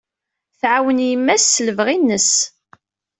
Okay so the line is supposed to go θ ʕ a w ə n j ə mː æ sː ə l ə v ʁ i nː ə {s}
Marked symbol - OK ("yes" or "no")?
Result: yes